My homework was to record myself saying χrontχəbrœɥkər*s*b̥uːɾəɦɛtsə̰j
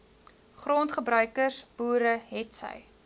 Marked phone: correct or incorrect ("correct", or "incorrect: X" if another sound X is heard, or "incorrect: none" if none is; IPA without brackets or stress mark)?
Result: correct